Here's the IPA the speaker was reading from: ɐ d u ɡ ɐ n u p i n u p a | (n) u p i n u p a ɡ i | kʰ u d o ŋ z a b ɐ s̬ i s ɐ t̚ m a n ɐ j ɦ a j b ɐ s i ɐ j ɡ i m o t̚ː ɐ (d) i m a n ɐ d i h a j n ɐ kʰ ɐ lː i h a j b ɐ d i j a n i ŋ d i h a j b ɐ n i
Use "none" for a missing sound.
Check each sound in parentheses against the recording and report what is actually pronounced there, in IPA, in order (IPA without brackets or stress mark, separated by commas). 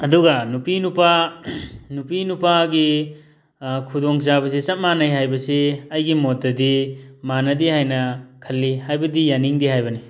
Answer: n, d